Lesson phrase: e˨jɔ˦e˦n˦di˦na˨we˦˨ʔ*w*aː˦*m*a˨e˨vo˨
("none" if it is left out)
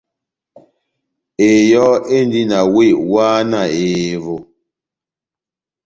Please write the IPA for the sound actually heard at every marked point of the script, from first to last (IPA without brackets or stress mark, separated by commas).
w, n